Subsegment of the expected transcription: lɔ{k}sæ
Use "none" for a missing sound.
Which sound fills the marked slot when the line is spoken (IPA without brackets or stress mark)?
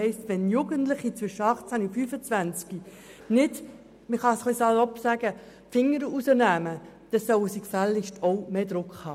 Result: p